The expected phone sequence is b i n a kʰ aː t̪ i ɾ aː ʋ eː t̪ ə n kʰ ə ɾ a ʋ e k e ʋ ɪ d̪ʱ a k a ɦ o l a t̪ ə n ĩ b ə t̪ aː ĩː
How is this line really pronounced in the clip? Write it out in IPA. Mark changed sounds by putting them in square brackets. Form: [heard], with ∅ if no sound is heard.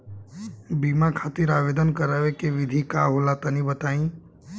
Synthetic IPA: b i [m] a kʰ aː t̪ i ɾ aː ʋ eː [d̪] ə n [k] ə ɾ a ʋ e k e ʋ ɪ d̪ʱ [i] k a ɦ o l a t̪ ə n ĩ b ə t̪ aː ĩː